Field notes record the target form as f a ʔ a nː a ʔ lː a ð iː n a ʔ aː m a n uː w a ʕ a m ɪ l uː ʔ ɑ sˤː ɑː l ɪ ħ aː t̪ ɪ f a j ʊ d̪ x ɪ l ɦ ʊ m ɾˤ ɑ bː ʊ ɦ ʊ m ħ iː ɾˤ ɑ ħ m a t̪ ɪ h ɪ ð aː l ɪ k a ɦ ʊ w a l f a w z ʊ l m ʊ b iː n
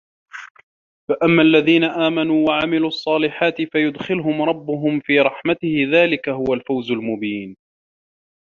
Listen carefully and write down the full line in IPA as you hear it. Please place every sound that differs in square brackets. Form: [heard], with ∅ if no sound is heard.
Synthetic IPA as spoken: f a ʔ a [mː] a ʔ lː a ð iː n a ʔ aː m a n uː w a ʕ a m ɪ l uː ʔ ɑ sˤː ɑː l ɪ ħ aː t̪ ɪ f a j ʊ d̪ x ɪ l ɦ ʊ m ɾˤ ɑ bː ʊ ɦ ʊ m [f] iː ɾˤ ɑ ħ m a t̪ ɪ h ɪ ð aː l ɪ k a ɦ ʊ w a l f a w z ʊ l m ʊ b iː n